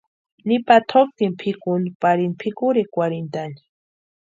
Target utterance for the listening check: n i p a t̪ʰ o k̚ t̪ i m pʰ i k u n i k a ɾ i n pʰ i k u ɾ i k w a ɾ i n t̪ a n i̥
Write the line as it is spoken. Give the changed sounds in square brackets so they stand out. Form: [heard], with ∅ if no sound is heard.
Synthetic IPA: n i p a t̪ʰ o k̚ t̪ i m pʰ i k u n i [p] a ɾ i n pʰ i k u ɾ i k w a ɾ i n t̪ a n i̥